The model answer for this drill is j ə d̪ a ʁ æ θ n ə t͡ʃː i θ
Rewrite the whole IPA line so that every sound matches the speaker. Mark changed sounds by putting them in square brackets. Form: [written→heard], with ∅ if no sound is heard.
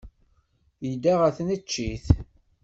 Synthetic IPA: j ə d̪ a ʁ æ θ n ə t͡ʃː i θ